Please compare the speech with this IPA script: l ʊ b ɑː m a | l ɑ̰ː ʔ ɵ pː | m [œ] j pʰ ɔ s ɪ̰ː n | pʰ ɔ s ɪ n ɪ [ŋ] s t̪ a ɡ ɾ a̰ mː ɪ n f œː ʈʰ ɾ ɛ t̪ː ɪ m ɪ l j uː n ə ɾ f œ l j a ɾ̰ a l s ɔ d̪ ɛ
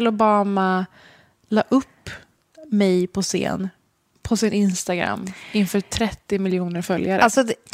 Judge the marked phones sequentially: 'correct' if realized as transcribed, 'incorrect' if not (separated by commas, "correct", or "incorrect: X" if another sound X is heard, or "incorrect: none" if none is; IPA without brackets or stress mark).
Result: incorrect: ɛ, incorrect: n